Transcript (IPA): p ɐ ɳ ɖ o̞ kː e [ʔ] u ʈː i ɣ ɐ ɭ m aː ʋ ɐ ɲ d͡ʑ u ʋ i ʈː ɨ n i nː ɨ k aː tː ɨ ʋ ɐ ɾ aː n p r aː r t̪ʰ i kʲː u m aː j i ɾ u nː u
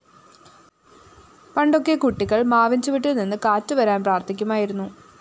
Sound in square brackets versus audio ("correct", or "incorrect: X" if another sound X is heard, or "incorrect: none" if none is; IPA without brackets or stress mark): incorrect: k